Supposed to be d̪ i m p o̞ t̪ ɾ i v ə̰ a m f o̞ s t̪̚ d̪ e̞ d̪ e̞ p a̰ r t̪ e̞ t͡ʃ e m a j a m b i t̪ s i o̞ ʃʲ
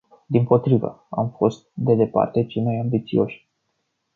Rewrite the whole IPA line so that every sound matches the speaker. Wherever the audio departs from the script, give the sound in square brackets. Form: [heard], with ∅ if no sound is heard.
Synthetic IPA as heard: d̪ i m p o̞ t̪ ɾ i v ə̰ a m f o̞ s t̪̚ d̪ e̞ d̪ e̞ p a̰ r t̪ e̞ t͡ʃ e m a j a m b i t̪ s i o̞ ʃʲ